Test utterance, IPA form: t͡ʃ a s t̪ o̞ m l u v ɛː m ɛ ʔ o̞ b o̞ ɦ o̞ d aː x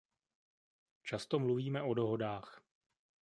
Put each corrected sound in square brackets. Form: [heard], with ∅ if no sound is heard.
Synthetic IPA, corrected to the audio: t͡ʃ a s t̪ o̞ m l u v [iː] m ɛ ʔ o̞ [d] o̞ ɦ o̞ d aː x